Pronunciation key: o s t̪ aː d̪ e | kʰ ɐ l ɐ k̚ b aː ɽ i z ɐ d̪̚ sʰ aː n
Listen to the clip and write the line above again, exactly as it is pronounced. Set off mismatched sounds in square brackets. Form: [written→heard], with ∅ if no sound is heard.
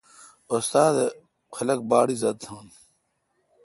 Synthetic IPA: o s t̪ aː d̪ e | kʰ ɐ l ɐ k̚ b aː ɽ i z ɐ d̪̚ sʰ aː n

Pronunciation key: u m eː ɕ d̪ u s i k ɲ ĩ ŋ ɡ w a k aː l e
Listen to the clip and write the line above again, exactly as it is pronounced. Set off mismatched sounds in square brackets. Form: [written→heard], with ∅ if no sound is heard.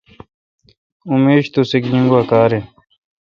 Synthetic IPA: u m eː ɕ [d̪→t̪] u s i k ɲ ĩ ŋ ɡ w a k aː [l→ɾ] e

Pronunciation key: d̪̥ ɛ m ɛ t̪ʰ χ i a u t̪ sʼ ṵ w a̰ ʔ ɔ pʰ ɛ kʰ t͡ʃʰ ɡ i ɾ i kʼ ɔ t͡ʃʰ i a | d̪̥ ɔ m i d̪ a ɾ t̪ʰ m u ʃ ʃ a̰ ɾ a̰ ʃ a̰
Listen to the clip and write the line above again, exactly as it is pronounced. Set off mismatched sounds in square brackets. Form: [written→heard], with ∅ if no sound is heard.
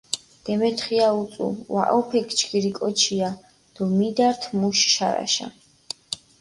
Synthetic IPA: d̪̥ ɛ m ɛ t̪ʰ χ i a u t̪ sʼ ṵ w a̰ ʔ ɔ pʰ ɛ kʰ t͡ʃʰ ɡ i ɾ i kʼ ɔ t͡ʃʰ i a | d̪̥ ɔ m i d̪ a ɾ t̪ʰ m u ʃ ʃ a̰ ɾ a̰ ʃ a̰

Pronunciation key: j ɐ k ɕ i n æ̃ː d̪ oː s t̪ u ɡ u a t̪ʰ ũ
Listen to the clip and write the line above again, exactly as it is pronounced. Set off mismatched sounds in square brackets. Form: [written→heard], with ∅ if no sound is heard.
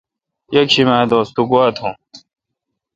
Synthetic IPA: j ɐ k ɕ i [n→m] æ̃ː d̪ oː s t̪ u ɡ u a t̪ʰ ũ

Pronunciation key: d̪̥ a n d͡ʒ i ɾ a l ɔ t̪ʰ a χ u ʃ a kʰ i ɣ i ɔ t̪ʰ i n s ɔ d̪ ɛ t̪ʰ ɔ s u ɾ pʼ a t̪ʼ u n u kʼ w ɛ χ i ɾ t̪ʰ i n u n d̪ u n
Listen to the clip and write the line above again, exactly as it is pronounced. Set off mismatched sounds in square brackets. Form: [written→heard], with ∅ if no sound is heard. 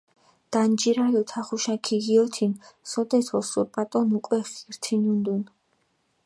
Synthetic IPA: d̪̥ a n d͡ʒ i ɾ a l ɔ t̪ʰ a χ u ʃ a kʰ i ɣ i ɔ t̪ʰ i n s ɔ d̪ ɛ t̪ʰ ɔ s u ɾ pʼ a t̪ʼ [u→ɔ] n u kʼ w ɛ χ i ɾ t̪ʰ i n u n d̪ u n

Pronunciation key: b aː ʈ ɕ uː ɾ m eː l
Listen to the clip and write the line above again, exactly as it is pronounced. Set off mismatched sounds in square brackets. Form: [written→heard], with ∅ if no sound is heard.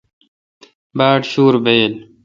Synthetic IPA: b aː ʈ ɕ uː ɾ [m→b] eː l

